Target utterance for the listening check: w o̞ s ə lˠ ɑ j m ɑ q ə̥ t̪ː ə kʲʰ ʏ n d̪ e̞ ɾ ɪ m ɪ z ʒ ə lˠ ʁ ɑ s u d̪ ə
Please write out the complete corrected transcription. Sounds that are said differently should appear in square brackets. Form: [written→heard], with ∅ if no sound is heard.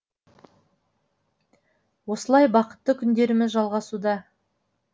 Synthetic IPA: w o̞ s ə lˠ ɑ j [m→b] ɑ q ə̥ t̪ː ə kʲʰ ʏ n d̪ e̞ ɾ ɪ m ɪ z ʒ [ə→ɑ] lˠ ʁ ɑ s u d̪ [ə→ɑ]